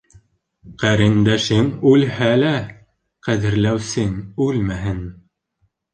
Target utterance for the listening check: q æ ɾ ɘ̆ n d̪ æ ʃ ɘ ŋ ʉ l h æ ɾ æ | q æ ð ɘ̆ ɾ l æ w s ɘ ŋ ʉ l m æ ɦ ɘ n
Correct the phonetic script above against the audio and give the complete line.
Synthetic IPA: q æ ɾ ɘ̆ n d̪ æ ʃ ɘ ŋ ʉ l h æ l æ | q æ ð ɘ̆ ɾ l æ w s ɘ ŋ ʉ l m æ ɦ ɘ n